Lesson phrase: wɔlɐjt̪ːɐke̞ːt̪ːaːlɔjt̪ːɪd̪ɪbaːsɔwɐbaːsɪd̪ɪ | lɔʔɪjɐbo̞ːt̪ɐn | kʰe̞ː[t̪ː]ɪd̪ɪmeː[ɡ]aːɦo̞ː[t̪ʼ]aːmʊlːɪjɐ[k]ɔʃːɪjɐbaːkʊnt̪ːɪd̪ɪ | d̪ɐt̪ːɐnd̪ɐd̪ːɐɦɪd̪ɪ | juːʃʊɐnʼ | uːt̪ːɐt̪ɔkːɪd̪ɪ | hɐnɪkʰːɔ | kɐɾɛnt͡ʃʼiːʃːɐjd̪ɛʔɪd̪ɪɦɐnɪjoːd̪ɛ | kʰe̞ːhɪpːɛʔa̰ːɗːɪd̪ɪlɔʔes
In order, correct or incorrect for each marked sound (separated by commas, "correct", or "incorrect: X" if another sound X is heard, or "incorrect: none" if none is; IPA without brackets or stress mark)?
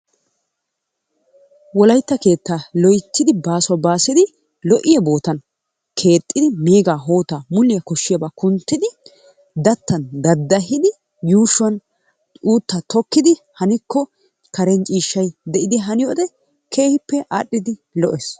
incorrect: t̪ʼː, correct, incorrect: t̪, correct